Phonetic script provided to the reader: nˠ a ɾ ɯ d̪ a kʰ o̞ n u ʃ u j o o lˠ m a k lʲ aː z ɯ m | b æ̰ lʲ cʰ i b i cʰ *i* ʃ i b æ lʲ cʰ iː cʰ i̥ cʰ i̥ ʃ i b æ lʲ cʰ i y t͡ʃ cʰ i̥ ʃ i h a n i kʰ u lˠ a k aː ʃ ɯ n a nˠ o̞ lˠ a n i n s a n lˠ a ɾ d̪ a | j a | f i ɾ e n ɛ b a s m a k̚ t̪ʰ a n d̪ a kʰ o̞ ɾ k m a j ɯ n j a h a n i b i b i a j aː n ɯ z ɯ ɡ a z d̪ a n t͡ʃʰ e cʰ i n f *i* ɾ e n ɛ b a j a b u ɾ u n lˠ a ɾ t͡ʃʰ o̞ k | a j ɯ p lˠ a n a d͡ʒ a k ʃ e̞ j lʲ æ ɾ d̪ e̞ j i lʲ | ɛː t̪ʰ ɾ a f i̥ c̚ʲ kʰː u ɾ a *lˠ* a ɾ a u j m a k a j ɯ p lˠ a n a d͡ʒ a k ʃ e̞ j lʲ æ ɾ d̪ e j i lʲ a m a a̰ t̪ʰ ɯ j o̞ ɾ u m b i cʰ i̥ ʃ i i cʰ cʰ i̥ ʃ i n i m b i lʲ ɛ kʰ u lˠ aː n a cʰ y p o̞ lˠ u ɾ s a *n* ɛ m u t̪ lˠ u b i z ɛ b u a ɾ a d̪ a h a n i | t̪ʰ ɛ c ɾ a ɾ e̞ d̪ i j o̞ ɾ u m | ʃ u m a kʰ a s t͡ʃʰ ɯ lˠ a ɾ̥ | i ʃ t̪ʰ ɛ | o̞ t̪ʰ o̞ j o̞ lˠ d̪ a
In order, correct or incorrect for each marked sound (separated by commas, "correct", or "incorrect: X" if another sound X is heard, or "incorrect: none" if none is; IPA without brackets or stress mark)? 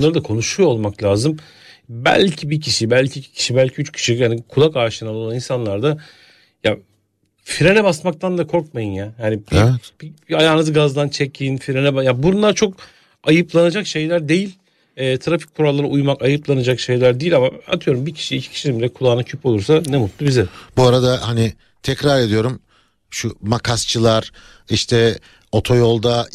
correct, correct, incorrect: lˠː, correct